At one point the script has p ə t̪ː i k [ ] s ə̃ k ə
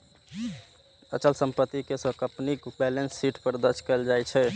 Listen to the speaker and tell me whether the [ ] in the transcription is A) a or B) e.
B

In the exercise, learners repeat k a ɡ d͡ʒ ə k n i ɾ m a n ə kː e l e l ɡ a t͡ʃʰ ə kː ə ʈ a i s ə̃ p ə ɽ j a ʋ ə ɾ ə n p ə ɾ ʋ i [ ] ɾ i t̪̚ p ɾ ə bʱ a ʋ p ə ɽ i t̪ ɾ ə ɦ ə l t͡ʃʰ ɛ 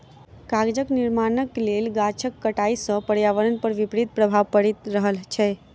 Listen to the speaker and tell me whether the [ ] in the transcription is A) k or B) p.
B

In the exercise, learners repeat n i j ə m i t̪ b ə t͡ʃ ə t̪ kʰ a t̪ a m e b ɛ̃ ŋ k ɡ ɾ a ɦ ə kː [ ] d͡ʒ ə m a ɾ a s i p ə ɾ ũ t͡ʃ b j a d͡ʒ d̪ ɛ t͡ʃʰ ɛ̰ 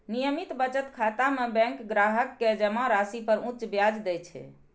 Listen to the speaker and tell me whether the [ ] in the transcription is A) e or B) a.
A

